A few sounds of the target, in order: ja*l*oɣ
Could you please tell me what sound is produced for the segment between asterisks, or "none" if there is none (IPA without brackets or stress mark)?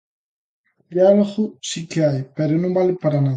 l